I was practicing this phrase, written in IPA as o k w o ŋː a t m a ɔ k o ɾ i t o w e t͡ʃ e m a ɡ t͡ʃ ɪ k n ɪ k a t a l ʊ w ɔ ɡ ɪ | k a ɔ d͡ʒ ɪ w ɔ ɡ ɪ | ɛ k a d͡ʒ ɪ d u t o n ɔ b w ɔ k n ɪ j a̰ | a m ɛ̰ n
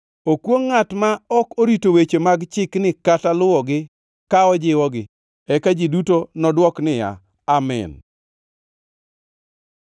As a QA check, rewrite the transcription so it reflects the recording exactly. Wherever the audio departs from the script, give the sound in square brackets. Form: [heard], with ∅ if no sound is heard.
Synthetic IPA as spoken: o k w o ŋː a t m a ɔ k o ɾ i t o w e t͡ʃ e m a ɡ t͡ʃ ɪ k n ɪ k a t a l ʊ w ɔ ɡ ɪ | k a ɔ d͡ʒ ɪ w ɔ ɡ ɪ | ɛ k a d͡ʒ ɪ d u t o n ɔ [d] w ɔ k n ɪ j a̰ | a m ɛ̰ n